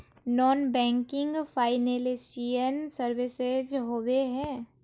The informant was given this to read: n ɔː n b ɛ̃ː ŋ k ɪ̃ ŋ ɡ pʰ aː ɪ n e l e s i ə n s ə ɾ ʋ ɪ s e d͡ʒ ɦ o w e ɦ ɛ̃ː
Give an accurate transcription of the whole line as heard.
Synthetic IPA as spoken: n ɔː n b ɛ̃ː ŋ k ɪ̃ ŋ ɡ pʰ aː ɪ n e l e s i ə n s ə ɾ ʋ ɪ s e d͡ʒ ɦ o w e ɦ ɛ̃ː